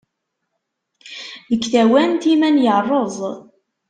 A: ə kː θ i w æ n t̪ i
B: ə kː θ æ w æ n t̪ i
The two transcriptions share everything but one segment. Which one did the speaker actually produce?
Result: B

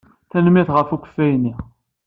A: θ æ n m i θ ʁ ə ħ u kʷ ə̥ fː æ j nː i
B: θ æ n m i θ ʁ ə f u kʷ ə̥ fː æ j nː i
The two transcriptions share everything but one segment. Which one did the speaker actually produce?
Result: B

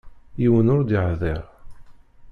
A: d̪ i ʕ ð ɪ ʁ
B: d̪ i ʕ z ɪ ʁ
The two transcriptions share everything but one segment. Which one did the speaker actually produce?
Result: A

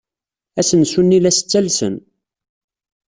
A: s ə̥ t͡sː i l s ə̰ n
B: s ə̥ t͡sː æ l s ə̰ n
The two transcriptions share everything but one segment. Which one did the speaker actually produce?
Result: B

